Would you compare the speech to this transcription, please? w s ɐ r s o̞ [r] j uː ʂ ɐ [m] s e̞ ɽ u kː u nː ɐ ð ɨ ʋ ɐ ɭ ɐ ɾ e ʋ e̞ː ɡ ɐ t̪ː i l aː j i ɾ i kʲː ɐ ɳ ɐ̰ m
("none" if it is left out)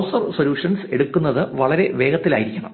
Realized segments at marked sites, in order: l, n

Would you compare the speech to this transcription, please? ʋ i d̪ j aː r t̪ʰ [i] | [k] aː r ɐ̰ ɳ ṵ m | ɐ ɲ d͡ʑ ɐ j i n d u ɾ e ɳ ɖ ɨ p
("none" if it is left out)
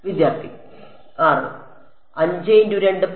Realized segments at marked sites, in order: i, k

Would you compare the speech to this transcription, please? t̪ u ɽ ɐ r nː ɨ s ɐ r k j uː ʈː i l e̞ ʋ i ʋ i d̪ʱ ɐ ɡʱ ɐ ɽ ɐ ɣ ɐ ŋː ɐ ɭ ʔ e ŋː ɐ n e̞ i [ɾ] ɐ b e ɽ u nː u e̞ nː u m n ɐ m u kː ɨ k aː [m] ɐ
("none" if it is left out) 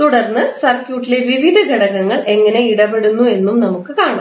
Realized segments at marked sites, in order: ɽ, ɳ

